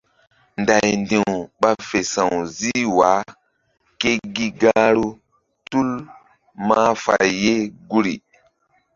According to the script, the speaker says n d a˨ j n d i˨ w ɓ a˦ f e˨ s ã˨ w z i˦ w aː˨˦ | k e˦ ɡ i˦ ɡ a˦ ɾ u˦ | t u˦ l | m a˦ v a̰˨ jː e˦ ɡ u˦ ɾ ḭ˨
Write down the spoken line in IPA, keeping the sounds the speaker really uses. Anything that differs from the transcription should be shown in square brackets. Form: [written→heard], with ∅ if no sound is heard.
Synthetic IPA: n d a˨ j n d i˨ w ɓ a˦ f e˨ s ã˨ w z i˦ w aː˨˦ | k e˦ ɡ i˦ ɡ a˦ ɾ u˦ | t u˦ l | m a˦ [v→f] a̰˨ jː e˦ ɡ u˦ ɾ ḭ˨